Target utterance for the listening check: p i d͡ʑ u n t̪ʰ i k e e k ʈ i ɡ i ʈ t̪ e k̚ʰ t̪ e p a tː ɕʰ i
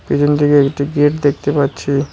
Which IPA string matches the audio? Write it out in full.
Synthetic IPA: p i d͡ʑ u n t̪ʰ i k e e k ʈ i ɡ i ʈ d̪ e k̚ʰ t̪ e p a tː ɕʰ i